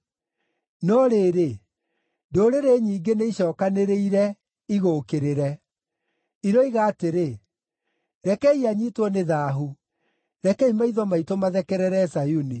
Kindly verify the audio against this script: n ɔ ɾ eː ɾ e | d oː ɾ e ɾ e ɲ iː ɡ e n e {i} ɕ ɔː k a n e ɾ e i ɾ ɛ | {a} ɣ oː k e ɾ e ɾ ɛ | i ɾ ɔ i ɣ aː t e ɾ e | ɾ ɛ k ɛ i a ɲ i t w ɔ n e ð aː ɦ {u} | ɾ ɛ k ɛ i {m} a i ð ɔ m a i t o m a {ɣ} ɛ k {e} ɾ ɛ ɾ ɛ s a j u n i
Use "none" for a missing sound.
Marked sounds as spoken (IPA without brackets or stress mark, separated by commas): i, i, u, m, ð, ɛ